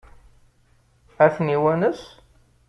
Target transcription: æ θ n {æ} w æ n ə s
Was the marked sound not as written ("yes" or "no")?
yes